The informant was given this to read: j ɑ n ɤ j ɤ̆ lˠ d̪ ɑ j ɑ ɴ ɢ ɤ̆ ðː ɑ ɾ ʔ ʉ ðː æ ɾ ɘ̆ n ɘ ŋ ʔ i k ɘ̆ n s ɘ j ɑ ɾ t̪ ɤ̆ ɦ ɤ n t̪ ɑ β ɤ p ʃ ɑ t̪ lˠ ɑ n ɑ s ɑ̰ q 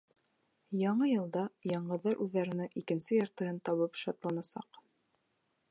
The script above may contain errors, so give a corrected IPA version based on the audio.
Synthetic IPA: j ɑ ɴ ɤ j ɤ̆ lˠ d̪ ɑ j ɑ ɴ ɢ ɤ̆ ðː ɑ ɾ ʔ ʉ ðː æ ɾ ɘ̆ n ɘ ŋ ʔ i k ɘ̆ n s ɘ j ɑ ɾ t̪ ɤ̆ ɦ ɤ n t̪ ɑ β ɤ p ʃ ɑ t̪ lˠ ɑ n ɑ s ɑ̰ q